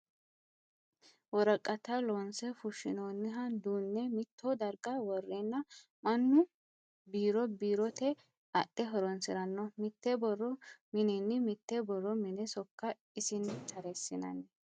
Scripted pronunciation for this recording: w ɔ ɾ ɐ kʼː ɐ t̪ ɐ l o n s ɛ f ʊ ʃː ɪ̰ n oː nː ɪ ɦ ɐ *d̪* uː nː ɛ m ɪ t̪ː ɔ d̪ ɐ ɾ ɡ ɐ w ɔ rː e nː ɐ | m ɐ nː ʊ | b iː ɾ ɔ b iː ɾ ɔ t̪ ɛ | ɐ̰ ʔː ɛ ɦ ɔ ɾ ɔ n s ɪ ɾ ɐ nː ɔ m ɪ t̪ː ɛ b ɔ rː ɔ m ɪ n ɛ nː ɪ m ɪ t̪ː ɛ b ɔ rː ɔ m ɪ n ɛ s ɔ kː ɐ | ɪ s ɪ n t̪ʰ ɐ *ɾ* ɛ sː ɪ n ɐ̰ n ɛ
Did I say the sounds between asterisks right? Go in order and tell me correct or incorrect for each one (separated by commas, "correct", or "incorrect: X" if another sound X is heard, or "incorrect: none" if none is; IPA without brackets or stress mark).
correct, correct